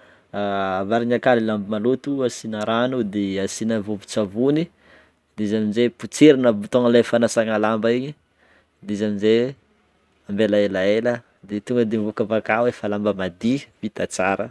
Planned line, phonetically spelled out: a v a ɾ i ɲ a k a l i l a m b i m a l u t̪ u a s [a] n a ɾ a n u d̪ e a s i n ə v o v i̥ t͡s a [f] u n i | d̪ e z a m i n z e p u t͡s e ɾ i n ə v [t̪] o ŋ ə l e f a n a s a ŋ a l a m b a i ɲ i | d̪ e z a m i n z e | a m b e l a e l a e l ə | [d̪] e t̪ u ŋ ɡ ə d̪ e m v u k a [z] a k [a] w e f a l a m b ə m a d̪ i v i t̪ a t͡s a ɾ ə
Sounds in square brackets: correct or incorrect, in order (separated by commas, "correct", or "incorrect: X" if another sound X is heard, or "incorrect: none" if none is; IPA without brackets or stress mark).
incorrect: i, incorrect: v, correct, correct, incorrect: v, correct